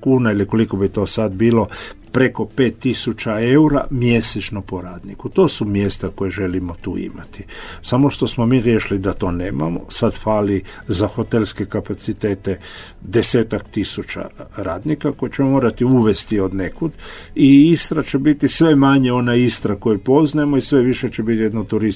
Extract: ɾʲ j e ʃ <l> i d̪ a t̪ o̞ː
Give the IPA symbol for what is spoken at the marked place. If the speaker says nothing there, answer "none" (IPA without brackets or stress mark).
l